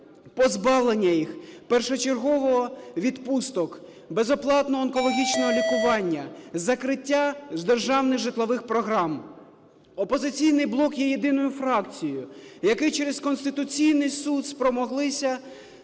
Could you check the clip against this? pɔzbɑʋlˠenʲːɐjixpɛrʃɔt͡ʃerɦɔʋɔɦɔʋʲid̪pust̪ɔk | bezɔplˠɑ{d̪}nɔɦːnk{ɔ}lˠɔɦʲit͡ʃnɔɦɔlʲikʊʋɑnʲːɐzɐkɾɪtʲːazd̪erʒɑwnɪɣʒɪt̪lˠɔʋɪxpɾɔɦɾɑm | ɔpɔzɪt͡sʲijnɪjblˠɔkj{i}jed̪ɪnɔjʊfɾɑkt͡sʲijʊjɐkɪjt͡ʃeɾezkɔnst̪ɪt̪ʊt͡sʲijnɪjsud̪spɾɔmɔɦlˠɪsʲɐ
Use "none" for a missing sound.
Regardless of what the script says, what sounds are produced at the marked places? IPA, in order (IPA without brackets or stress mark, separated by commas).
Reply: t̪, ɔ, ɛ